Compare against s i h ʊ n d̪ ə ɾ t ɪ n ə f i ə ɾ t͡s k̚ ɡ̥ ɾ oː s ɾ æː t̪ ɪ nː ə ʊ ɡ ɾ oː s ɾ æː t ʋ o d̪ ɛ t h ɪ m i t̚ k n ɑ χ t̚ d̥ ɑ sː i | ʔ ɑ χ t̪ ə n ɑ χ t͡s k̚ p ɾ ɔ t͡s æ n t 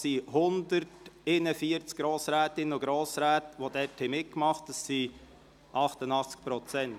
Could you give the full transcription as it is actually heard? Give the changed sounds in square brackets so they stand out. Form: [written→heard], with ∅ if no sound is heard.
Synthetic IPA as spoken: s i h ʊ n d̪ ə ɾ t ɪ n ə f i ə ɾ t͡s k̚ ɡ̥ ɾ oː s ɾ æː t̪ ɪ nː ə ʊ ɡ ɾ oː s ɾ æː t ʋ o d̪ ɛ t h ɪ m [i→ɪ] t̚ k [n→m] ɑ χ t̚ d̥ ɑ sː i | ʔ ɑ χ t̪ ə n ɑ χ t͡s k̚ p ɾ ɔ t͡s [æ→ɛ] n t